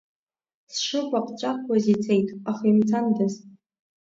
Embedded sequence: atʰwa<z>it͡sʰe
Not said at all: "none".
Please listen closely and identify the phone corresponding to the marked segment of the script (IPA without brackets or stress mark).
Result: z